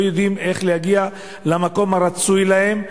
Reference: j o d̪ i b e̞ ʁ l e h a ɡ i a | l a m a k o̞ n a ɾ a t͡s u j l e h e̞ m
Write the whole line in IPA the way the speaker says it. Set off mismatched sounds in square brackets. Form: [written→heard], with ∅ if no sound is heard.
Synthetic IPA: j o d̪ i [b→m] e̞ [ʁ→χ] l e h a ɡ i a | l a m a k o̞ [n→m] a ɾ a t͡s u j l [e→a] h e̞ m